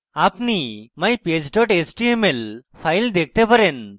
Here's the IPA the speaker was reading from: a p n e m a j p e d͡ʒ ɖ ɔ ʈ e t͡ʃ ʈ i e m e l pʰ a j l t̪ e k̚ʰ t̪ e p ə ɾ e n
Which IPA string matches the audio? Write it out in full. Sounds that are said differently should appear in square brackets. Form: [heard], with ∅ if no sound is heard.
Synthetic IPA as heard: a p n [i] m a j p e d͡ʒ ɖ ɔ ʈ e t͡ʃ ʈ i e m e l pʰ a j l [d̪] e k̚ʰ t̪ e p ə ɾ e n